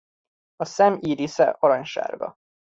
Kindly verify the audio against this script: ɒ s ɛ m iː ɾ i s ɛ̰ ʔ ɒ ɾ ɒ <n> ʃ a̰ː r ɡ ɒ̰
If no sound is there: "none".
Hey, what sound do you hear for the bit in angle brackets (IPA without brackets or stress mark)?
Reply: ɲ